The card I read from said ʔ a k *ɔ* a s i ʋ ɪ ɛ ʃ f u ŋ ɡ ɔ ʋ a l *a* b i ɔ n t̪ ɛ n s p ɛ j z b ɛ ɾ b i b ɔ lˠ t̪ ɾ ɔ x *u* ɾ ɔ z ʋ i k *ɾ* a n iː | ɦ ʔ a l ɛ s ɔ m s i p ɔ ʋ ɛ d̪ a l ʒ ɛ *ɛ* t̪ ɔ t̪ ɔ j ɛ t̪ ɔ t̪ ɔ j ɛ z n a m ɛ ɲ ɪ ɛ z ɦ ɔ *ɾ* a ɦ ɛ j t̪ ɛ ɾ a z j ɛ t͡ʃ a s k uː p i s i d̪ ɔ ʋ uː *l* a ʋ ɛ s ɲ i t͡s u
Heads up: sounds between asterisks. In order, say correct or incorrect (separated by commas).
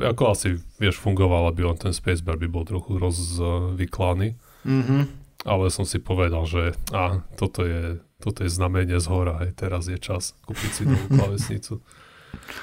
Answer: correct, correct, correct, incorrect, incorrect, correct, correct